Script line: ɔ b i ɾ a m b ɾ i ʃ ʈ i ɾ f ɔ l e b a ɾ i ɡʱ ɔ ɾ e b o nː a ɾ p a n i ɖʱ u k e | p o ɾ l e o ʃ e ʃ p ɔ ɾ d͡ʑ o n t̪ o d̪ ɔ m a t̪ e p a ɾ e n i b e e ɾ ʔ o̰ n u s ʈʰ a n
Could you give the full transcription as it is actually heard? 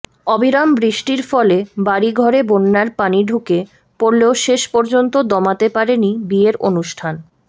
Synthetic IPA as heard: ɔ b i ɾ a m b ɾ i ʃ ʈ i ɾ f ɔ l e b a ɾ i ɡʱ ɔ ɾ e b o nː a ɾ p a n i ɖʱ u k e | p o ɾ l e o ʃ e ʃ p ɔ ɾ d͡ʑ o n t̪ o d̪ ɔ m a t̪ e p a ɾ e n i b i e ɾ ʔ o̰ n u ʃ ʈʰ a n